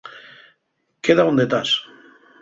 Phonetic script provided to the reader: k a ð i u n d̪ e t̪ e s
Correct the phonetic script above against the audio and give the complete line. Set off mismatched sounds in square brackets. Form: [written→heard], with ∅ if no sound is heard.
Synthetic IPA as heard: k [a→e] ð [i→a] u n d̪ e t̪ [e→a] s